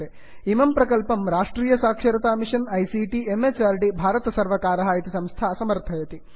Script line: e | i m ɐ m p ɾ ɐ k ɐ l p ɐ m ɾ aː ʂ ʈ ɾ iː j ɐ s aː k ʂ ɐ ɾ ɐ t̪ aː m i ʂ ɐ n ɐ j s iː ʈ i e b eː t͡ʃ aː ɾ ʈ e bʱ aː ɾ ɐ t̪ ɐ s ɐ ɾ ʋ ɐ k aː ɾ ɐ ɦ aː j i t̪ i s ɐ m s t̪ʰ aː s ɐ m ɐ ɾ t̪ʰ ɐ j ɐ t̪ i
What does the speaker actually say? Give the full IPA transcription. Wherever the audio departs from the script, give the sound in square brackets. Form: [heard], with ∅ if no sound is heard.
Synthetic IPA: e | i m ɐ m p ɾ ɐ k ɐ l p ɐ m ɾ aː ʂ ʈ ɾ iː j ɐ s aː k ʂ ɐ ɾ ɐ t̪ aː m i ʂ ɐ n ɐ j s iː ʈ i e [m] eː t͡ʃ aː ɾ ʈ [i] bʱ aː ɾ ɐ t̪ ɐ s ɐ ɾ ʋ ɐ k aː ɾ ɐ ɦ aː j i t̪ i s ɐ m s t̪ʰ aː s ɐ m ɐ ɾ t̪ʰ ɐ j ɐ t̪ i